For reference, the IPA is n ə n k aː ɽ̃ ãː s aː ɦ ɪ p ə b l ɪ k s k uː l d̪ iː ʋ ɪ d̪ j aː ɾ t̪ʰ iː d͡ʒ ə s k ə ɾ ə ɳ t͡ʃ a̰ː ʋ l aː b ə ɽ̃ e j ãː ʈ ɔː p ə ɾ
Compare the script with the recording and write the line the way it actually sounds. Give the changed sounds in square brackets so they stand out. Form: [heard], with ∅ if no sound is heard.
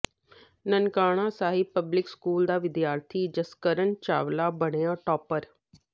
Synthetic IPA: n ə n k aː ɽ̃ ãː s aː ɦ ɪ p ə b l ɪ k s k uː l d̪ [aː] ʋ ɪ d̪ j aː ɾ t̪ʰ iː d͡ʒ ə s k ə ɾ ə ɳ t͡ʃ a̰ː ʋ l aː b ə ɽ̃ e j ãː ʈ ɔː p ə ɾ